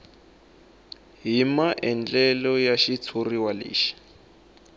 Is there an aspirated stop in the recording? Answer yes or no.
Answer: yes